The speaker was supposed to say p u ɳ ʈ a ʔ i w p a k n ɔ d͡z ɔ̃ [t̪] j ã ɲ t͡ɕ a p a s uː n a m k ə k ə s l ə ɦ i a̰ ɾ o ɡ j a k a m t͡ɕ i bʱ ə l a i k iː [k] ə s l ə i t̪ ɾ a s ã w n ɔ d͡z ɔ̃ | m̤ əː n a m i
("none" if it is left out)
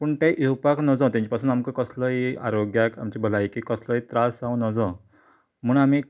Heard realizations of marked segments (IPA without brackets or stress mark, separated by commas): t̪, k